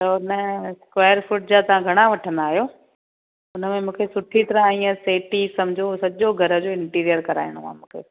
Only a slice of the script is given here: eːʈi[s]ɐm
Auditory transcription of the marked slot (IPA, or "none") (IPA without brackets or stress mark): s